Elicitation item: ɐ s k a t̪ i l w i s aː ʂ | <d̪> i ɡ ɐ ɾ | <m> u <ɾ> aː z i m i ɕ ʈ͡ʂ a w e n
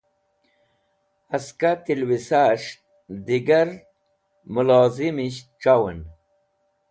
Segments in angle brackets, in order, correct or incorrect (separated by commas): correct, correct, incorrect